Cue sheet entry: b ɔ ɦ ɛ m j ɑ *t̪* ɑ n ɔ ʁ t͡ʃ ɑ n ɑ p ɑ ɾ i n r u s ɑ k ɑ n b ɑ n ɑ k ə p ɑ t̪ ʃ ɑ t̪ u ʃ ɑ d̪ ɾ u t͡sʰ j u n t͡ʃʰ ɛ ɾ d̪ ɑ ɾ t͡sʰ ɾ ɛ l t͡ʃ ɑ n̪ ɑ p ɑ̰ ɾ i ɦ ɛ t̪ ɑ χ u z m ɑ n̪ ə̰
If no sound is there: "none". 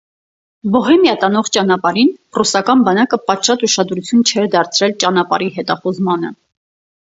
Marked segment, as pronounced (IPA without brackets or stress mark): t̪